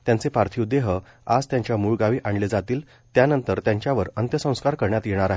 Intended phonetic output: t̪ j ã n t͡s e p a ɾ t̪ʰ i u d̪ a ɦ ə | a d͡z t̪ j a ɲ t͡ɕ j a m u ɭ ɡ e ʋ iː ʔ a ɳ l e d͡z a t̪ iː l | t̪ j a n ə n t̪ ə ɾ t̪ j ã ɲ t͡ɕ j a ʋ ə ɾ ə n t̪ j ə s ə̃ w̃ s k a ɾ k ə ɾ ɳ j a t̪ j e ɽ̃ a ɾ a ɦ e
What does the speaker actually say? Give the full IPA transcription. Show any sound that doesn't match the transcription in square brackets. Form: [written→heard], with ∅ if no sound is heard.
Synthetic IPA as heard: t̪ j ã n t͡s e p a ɾ t̪ʰ i u d̪ [a→e] ɦ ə | a d͡z t̪ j a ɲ t͡ɕ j a m u ɭ ɡ [e→a] ʋ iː ʔ a ɳ l e d͡z a t̪ iː l | t̪ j a n ə n t̪ ə ɾ t̪ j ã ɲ t͡ɕ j a ʋ ə ɾ ə n t̪ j ə s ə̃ w̃ s k a ɾ k ə ɾ ɳ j a t̪ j e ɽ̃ a ɾ a ɦ e